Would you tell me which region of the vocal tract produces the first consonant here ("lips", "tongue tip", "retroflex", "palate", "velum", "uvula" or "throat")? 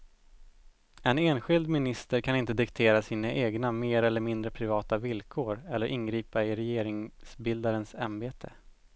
tongue tip